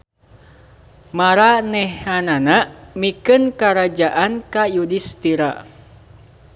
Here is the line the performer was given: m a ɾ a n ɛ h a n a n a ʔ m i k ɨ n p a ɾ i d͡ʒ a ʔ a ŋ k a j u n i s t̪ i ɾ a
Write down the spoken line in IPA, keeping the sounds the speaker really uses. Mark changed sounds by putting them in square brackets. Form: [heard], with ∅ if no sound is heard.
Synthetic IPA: m a ɾ a n ɛ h a n a n a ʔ m i k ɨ n [k] a ɾ [a] d͡ʒ a ʔ a [n] k a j u [d] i s t̪ i ɾ a